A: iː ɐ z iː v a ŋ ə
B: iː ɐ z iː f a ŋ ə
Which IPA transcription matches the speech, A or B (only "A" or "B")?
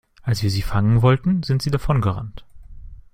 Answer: B